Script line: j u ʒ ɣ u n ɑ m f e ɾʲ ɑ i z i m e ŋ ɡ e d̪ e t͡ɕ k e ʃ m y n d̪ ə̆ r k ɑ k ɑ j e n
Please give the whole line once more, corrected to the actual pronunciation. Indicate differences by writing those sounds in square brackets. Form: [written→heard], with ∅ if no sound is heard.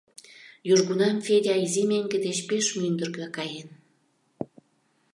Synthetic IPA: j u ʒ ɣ u n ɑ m f e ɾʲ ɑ i z i m e ŋ ɡ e d̪ e t͡ɕ [k→p] e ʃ m y n d̪ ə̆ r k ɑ k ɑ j e n